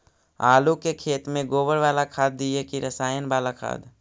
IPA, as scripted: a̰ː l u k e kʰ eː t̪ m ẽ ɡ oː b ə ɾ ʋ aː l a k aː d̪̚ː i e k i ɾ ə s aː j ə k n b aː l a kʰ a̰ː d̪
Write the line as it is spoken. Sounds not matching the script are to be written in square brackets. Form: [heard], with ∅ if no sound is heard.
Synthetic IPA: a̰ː l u k e kʰ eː t̪ m ẽ ɡ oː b ə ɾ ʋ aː l a [kʰ] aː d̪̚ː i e k i ɾ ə s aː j ə [∅] n b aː l a kʰ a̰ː d̪